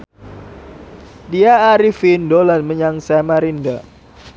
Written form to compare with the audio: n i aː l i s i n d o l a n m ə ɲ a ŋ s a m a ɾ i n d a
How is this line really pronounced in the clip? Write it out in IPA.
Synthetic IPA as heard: d i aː ɾ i f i n d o l a n m ə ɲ a ŋ s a m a ɾ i n d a